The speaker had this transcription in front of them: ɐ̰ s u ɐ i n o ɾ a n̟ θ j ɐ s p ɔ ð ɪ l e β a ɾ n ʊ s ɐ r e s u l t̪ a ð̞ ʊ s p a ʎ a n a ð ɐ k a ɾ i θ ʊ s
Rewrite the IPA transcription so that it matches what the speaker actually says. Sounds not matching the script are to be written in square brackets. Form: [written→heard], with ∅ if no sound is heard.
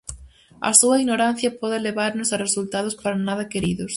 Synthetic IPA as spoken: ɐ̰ s u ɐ i n o ɾ a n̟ θ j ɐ [s→∅] p ɔ ð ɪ l e β a ɾ n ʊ s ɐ r e s u l t̪ a ð̞ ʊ s p a [ʎ→ɾ] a n a ð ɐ k [a→e] ɾ i [θ→ð] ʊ s